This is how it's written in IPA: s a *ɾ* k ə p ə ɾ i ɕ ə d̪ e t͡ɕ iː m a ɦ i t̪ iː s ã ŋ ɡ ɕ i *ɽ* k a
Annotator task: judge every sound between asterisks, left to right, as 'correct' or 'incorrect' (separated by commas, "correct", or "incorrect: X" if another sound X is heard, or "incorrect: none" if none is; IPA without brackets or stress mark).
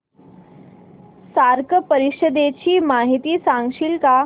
correct, incorrect: l